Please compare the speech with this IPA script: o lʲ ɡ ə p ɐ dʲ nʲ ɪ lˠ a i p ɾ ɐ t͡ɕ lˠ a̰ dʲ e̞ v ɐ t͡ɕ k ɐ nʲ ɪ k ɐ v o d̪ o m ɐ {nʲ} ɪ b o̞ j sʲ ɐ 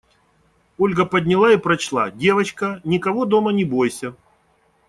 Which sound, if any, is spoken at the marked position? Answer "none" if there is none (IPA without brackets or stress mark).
nʲ